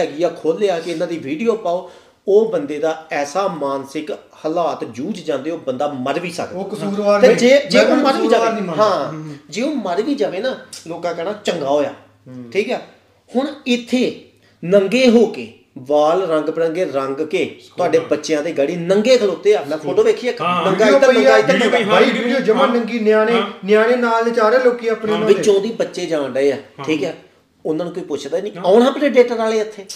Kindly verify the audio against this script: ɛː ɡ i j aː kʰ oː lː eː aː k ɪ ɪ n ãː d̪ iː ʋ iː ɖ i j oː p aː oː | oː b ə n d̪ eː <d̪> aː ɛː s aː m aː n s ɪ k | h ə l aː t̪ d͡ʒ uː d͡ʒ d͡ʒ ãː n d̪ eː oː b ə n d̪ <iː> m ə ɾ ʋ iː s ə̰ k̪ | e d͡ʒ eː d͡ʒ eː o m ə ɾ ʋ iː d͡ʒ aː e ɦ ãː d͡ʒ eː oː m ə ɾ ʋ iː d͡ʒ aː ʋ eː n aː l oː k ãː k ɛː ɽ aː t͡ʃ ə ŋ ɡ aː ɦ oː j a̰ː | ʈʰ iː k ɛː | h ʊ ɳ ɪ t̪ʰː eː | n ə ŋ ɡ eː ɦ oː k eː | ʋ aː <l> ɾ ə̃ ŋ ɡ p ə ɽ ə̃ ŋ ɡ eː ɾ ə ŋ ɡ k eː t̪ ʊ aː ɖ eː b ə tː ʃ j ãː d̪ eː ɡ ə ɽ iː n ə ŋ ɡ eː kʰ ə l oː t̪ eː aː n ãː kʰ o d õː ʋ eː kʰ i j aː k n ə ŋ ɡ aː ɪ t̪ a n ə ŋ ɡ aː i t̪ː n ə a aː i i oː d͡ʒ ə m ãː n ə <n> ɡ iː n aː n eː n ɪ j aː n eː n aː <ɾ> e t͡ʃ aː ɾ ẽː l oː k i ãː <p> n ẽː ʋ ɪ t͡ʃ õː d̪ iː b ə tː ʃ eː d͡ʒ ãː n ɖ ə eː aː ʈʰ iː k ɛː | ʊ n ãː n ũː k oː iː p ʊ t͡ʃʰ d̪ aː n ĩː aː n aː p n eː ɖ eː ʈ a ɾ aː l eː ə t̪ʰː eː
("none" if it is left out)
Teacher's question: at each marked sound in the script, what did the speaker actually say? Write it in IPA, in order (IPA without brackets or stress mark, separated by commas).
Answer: d̪, aː, l, ŋ, l, p